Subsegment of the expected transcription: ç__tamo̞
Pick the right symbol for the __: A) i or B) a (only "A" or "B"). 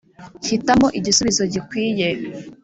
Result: A